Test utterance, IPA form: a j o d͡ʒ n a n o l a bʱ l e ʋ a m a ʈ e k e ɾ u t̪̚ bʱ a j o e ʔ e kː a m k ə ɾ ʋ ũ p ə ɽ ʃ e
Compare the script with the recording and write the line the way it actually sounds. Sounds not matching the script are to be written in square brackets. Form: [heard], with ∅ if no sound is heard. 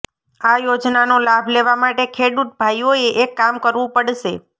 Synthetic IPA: a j o d͡ʒ n a n o l a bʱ l e ʋ a m a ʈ e [kʰ] e [ɽ] u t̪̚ bʱ a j o e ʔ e kː a m k ə ɾ ʋ ũ p ə ɽ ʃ e